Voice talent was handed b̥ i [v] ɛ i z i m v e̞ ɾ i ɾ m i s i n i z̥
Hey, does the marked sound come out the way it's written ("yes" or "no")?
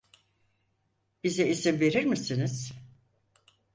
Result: no